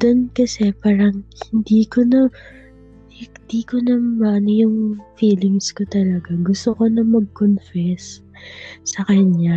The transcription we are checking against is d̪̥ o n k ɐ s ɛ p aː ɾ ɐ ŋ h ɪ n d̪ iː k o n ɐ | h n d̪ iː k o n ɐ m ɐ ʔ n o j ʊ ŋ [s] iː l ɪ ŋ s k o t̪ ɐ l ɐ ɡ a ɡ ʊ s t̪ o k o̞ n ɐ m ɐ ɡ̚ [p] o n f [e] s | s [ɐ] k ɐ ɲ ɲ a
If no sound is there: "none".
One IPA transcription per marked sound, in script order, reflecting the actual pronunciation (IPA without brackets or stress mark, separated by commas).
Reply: f, k, ɛ, ɐ